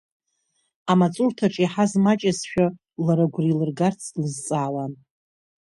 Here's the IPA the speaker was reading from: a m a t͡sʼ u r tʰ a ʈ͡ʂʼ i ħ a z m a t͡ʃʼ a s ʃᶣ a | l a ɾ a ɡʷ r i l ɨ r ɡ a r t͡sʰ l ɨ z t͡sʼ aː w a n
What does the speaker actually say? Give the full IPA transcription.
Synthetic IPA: a m a t͡sʼ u r tʰ a ʈ͡ʂʼ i ħ a z m a t͡ʃʼ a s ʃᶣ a | l a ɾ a ɡʷ r i l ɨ r ɡ a r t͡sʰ l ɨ z t͡sʼ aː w a n

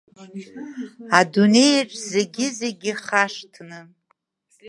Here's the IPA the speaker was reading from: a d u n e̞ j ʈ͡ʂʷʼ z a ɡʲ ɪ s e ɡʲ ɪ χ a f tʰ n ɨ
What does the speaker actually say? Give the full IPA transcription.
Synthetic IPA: a d u n e̞ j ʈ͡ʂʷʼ z e ɡʲ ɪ z e ɡʲ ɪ χ a ʂ tʰ n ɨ

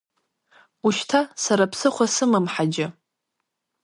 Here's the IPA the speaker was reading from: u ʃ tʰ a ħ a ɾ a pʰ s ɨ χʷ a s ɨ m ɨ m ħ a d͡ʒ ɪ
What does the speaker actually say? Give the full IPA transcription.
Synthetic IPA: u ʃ tʰ a s a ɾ a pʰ s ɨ χʷ a s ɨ m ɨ m ħ a d͡ʒ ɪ

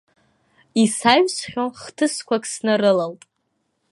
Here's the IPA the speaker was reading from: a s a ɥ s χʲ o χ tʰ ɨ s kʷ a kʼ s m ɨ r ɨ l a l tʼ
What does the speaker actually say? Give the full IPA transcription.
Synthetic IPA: i s a ɥ s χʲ o χ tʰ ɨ s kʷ a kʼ s n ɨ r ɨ l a l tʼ

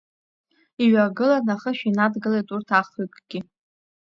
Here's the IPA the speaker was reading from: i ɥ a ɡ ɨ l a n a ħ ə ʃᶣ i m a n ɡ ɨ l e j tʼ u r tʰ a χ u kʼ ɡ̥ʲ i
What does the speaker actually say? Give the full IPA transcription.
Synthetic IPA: i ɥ a ɡ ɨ l a n a χ ə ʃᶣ i n a d ɡ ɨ l e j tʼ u r tʰ a χ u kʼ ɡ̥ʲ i

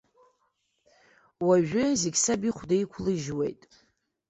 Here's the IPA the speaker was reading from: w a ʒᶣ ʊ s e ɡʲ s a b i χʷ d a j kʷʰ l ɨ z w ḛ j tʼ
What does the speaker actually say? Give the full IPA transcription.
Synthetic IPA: w a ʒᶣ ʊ z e ɡʲ s a b i χʷ d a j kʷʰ l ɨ ʒ w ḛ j tʼ

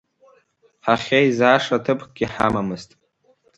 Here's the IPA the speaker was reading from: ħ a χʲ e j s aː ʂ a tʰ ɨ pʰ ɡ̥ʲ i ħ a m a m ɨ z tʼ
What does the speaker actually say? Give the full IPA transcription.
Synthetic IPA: ħ a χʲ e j z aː ʂ a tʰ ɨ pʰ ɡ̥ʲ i ħ a m a m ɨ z tʼ

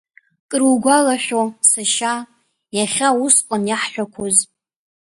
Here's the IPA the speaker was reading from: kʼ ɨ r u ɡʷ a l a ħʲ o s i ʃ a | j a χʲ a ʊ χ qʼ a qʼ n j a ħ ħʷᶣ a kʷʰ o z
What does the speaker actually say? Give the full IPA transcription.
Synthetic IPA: kʼ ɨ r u ɡʷ a l a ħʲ o s a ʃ a | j a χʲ a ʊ s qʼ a n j a ħ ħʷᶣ a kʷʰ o z

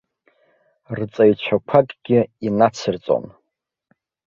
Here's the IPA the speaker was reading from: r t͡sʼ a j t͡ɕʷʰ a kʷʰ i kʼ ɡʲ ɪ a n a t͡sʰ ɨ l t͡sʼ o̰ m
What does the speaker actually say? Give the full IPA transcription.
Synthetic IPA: r t͡sʼ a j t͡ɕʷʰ a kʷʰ a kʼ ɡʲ ɪ i n a t͡sʰ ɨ r t͡sʼ o̰ n

